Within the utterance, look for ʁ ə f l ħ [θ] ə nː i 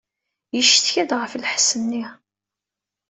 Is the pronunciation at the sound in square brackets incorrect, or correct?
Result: incorrect